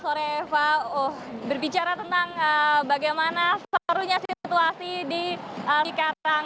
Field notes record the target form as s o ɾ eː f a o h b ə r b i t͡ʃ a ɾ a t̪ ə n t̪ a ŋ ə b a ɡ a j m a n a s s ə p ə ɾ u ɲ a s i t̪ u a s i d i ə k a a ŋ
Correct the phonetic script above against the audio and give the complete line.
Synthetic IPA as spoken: s o ɾ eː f a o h b ə r b i t͡ʃ a ɾ a t̪ ə n t̪ a ŋ ə b a ɡ a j m a n a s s ə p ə ɾ u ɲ a s i t̪ u a s i d i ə k a a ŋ